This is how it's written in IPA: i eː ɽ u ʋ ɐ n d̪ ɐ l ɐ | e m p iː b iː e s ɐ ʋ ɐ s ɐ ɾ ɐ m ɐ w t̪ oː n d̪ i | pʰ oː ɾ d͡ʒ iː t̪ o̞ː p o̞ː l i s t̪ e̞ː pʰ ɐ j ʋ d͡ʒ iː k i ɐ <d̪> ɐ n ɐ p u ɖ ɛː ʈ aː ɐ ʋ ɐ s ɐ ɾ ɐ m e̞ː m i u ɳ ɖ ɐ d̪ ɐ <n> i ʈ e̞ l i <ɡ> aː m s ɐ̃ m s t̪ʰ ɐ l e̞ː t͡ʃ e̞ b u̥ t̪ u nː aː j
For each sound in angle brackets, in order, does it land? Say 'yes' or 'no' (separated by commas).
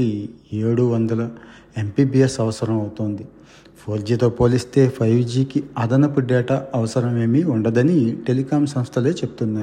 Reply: yes, yes, no